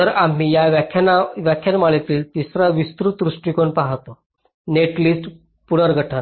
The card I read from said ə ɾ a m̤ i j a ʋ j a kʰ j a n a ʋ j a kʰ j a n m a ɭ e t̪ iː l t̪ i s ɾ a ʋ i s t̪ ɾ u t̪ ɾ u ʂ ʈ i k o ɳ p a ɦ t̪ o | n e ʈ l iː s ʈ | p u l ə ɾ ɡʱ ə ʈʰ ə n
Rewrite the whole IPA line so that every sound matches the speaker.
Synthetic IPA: ə ɾ a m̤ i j a ʋ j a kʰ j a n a ʋ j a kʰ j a n m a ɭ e t̪ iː l t̪ i s ɾ a ʋ i s t̪ ɾ u t̪ ɾ u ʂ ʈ i k o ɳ p a ɦ t̪ o | n e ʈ l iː s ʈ | p u ɽ ə ɾ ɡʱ ə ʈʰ ə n